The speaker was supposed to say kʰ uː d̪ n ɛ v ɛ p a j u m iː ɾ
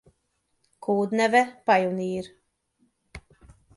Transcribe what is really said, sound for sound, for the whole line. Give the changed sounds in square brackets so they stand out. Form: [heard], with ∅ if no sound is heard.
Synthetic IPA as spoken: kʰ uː d̪ n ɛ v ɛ p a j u [n] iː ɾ